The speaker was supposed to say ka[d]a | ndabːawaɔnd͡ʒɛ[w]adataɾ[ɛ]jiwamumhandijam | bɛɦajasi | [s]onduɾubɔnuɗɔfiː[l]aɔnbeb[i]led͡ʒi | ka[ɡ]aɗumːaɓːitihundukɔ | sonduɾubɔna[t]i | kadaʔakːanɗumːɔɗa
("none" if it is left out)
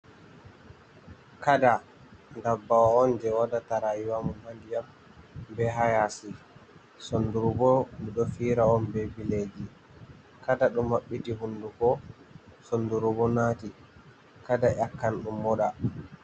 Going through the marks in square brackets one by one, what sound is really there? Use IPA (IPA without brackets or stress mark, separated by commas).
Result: d, w, a, s, ɾ, i, d, t